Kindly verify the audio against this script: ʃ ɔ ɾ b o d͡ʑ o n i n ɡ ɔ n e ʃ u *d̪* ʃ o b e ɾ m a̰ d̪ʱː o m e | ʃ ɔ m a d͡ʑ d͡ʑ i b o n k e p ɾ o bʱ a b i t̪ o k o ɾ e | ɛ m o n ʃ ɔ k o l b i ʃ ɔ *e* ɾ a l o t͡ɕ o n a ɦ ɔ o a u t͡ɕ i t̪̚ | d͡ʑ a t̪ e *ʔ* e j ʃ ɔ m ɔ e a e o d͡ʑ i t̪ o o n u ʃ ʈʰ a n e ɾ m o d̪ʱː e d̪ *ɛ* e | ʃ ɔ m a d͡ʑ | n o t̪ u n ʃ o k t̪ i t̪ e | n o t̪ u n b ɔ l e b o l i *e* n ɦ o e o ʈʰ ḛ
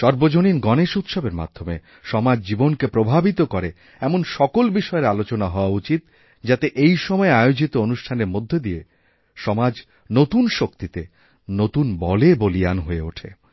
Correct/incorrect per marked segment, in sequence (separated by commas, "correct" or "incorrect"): incorrect, correct, correct, incorrect, incorrect